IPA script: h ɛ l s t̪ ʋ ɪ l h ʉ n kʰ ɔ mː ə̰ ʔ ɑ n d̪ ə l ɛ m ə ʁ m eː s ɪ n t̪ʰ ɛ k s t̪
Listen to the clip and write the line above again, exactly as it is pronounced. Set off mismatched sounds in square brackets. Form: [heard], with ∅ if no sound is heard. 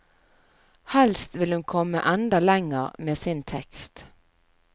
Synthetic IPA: h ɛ l s t̪ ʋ ɪ l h ʉ n kʰ ɔ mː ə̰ ʔ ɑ n d̪ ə l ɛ [ŋ] ə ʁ m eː s ɪ n t̪ʰ ɛ k s t̪